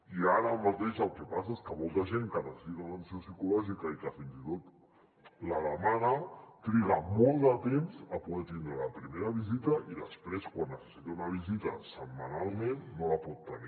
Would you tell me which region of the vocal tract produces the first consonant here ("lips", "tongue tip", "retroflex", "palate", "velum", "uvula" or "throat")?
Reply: tongue tip